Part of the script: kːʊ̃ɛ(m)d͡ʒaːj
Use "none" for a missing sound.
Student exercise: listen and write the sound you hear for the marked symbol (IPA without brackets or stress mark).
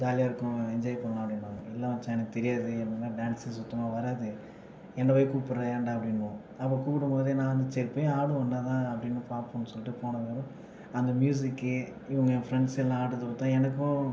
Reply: ɲ